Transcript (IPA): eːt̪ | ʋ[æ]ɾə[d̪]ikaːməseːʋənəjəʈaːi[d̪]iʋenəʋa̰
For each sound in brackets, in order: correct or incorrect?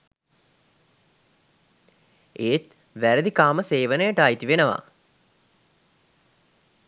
correct, correct, incorrect

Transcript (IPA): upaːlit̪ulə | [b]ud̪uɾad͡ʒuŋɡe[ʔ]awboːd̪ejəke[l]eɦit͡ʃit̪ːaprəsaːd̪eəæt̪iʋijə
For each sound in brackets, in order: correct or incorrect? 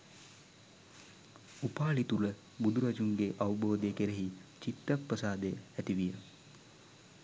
correct, correct, incorrect

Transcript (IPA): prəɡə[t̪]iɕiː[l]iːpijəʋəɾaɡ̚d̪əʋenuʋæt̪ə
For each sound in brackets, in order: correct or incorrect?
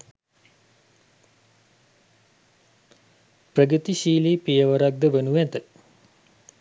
correct, correct

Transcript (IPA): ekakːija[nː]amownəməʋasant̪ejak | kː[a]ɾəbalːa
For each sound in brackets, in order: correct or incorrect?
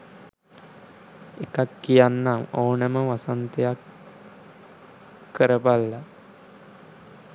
correct, incorrect

